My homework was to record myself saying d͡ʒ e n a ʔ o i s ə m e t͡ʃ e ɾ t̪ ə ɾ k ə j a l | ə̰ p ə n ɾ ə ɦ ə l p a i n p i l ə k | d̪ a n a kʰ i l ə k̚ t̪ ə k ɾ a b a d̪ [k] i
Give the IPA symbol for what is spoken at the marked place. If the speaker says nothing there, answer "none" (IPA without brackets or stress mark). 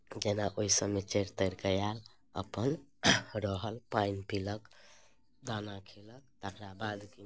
k